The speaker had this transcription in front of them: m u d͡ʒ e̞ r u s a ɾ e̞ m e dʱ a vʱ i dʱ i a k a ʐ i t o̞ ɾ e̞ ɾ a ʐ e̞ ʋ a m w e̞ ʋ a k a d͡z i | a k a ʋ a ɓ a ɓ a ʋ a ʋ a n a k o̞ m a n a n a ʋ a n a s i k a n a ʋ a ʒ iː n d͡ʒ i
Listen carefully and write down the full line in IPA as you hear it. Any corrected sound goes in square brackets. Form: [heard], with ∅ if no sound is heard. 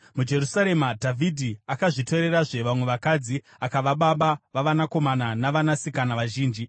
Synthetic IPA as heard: m u d͡ʒ e̞ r u s a ɾ e̞ m [a] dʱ a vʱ i dʱ i a k a ʐ i t o̞ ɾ e̞ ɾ a ʐ e̞ ʋ a m w e̞ ʋ a k a d͡z i | a k a ʋ a ɓ a ɓ a ʋ a ʋ a n a k o̞ m a n a n a ʋ a n a s i k a n a ʋ a ʒ iː n d͡ʒ i

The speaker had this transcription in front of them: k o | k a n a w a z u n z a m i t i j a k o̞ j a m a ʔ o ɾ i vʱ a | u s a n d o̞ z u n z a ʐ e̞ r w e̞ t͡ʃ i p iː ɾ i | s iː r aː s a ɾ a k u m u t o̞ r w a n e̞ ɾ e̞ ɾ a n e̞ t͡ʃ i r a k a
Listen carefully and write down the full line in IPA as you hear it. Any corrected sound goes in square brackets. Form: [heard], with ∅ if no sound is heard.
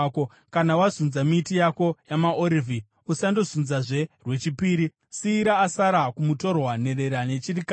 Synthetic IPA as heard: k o | k a n a w a z u n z a m i t i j a k o̞ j a m a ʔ o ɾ i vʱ [i] | u s a n d o̞ z u n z a ʐ e̞ r w e̞ t͡ʃ i p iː ɾ i | s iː [ɾ] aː s a ɾ a k u m u t o̞ r w a n e̞ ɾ e̞ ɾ a n e̞ t͡ʃ i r [i] k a

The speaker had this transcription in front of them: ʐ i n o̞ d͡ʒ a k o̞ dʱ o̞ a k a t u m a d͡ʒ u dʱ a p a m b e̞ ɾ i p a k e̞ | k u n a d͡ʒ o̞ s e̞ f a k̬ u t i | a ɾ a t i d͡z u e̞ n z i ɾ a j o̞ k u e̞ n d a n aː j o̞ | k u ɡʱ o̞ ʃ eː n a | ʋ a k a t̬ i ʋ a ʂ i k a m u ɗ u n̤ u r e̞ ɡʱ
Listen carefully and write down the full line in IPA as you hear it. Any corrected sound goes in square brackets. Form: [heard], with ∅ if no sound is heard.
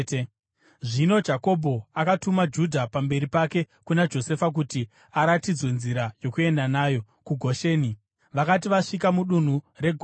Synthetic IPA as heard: ʐ i n o̞ d͡ʒ a k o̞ [bʱ] o̞ a k a t u m a d͡ʒ u dʱ a p a m b e̞ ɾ i p a k e̞ | k u n a d͡ʒ o̞ s e̞ f a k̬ u t i | a ɾ a t i d͡z [w] e̞ n z i ɾ a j o̞ k u e̞ n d a n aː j o̞ | k u ɡʱ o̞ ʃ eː n [i] | ʋ a k a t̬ i ʋ a ʂ i k a m u ɗ u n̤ u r e̞ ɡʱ

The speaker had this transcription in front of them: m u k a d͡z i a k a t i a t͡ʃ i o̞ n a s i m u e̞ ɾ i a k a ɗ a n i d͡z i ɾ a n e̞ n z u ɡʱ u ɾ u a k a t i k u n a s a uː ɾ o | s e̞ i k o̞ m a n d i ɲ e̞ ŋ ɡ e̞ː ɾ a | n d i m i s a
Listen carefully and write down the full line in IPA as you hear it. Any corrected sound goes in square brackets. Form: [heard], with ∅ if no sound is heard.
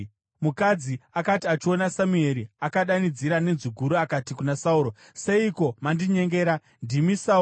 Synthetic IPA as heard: m u k a d͡z i a k a t i a t͡ʃ i o̞ n a s [a] m u e̞ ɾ i a k a ɗ a n i d͡z i ɾ a n e̞ n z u ɡʱ u ɾ u a k a t i k u n a s a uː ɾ o | s e̞ i k o̞ m a n d i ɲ e̞ ŋ ɡ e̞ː ɾ a | n d i m i s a

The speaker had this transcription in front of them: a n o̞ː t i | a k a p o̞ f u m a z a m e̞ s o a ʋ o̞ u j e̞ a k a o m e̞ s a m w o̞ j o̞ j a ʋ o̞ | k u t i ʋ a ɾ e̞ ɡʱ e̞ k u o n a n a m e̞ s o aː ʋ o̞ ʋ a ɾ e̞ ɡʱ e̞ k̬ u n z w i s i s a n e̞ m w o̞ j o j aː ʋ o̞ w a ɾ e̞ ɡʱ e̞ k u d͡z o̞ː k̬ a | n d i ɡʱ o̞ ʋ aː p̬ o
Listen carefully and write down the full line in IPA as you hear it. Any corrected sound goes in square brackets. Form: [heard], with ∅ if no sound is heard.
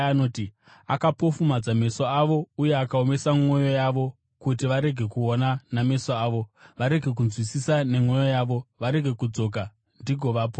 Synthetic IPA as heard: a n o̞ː t i | a k a p o̞ f u m a [d͡z] a m e̞ s o a ʋ o̞ u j e̞ a k a o m e̞ s a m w o̞ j o̞ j a ʋ o̞ | k u t i ʋ a ɾ e̞ ɡʱ e̞ k u o n a n a m e̞ s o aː ʋ o̞ ʋ a ɾ e̞ ɡʱ e̞ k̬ u n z w i s i s a n e̞ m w o̞ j o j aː ʋ o̞ [ʋ] a ɾ e̞ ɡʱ e̞ k u d͡z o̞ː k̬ a | n d i ɡʱ o̞ ʋ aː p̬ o

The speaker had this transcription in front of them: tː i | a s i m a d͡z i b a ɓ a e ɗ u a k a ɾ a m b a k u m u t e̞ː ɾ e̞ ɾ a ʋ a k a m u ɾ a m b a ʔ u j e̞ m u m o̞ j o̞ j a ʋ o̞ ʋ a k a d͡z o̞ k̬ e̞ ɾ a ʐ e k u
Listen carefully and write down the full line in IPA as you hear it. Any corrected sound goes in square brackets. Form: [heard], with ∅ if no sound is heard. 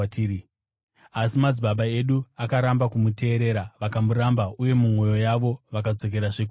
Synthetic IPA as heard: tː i | a s i m a d͡z i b a ɓ a e ɗ u a k a ɾ a m b a k u m u t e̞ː ɾ e̞ ɾ a ʋ a k a m u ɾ a m b a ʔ u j e̞ m u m o̞ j o̞ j a ʋ o̞ ʋ a k a d͡z o̞ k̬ e̞ ɾ a ʐ e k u

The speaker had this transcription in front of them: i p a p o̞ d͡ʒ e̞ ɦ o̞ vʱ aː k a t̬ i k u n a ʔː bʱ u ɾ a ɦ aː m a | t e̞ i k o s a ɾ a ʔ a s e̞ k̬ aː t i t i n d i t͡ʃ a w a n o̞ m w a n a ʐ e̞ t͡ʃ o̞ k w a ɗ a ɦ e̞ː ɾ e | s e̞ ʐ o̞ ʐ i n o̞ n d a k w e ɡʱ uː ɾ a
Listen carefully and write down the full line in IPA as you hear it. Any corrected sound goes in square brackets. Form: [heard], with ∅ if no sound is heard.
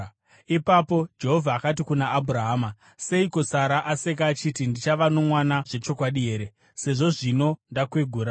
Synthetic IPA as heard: i p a p o̞ d͡ʒ e̞ ɦ o̞ vʱ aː k a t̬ i k u n a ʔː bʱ u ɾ a ɦ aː m a | [s] e̞ i k o s a ɾ a ʔ a s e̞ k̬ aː [t͡ʃ] i t i n d i t͡ʃ a [ʋ] a n o̞ m w a n a ʐ e̞ t͡ʃ o̞ k w a ɗ [i] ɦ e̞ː ɾ e | s e̞ ʐ o̞ ʐ i n o̞ n d a k w e ɡʱ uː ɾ a

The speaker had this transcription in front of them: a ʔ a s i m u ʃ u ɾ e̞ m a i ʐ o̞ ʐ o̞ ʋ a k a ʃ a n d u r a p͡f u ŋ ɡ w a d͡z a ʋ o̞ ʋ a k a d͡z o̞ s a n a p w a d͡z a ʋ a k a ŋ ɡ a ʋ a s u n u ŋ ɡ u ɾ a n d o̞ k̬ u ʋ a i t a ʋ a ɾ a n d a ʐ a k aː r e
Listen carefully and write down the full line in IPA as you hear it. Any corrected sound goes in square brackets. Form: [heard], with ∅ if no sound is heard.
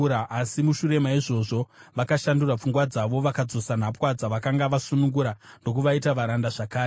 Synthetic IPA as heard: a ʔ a s i m u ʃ u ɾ e̞ m a i ʐ o̞ ʐ o̞ ʋ a k a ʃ a n d u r a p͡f u ŋ ɡ w a d͡z a ʋ o̞ ʋ a k a d͡z o̞ s a n a p w a d͡z a ʋ a k a ŋ ɡ a ʋ a s u n u ŋ ɡ u ɾ a n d o̞ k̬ u ʋ a i t a ʋ a ɾ a n d a ʐ a k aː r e

